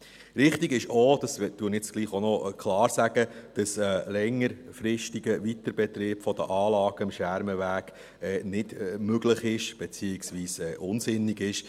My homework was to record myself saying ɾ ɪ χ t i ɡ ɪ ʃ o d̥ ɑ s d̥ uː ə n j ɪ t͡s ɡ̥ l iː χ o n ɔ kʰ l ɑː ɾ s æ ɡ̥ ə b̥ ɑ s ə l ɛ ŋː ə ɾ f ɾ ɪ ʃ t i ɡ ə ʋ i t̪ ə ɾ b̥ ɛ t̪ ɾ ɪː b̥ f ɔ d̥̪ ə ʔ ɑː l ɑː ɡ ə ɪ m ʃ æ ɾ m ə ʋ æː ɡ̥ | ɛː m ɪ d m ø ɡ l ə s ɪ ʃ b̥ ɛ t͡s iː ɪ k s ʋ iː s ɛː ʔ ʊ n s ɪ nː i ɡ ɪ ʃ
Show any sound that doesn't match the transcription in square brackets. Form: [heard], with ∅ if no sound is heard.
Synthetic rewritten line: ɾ ɪ χ t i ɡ ɪ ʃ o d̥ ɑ s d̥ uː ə n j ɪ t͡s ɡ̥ l iː χ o n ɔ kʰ l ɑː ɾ s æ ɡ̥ ə [d̥] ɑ s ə l ɛ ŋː ə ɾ f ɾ ɪ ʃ t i ɡ ə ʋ i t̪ ə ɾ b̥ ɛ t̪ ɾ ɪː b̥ f ɔ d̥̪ ə ʔ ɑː l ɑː ɡ ə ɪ m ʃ æ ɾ m ə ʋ æː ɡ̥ | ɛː [n] ɪ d m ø ɡ l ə [χ] ɪ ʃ b̥ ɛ t͡s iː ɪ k s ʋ iː s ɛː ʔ ʊ n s ɪ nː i ɡ ɪ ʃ